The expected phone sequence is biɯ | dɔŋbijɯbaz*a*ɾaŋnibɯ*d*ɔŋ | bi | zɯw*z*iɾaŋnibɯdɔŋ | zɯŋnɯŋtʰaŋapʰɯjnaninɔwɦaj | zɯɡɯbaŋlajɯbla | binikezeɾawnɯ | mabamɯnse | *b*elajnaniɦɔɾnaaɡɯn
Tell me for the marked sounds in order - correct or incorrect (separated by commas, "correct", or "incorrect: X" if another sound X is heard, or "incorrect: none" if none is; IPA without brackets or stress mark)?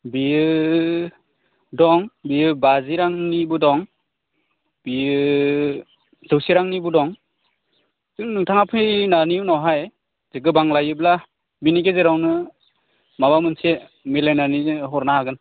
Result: incorrect: i, correct, incorrect: s, incorrect: m